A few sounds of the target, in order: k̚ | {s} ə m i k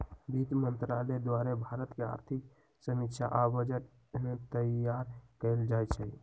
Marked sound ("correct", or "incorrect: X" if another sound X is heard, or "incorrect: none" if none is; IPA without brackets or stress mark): correct